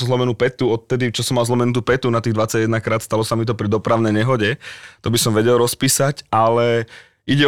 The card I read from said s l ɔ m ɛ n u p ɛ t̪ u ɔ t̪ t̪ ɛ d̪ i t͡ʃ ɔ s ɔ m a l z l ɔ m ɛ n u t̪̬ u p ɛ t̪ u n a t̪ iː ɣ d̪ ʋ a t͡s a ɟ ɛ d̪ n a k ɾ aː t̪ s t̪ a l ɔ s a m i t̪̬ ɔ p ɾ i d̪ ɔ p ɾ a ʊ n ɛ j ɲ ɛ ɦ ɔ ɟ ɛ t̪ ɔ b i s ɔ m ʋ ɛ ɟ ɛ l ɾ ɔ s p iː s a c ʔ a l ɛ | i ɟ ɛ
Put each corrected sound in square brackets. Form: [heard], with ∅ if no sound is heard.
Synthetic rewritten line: [z] l ɔ m ɛ n u p ɛ t̪ u ɔ t̪ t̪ ɛ d̪ i t͡ʃ ɔ s ɔ m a l z l ɔ m ɛ n u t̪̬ u p ɛ t̪ u n a t̪ iː ɣ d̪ ʋ a t͡s a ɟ ɛ d̪ n a k ɾ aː t̪ s t̪ a l ɔ s a m i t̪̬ ɔ p ɾ i d̪ ɔ p ɾ a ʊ n ɛ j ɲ ɛ ɦ ɔ ɟ ɛ t̪ ɔ b i s ɔ m ʋ ɛ ɟ ɛ l ɾ ɔ s p iː s a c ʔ a l ɛ | i ɟ ɛ